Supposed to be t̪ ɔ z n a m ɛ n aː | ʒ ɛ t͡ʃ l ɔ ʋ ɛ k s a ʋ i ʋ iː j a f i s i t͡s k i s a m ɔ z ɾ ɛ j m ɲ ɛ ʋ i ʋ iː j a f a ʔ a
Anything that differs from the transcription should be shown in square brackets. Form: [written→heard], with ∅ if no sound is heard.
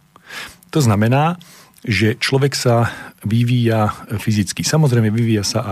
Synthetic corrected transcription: t̪ ɔ z n a m ɛ n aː | ʒ ɛ t͡ʃ l ɔ ʋ ɛ k s a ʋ i ʋ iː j a f i [s→z] i t͡s k i s a m ɔ z ɾ ɛ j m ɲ ɛ ʋ i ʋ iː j a [f→s] a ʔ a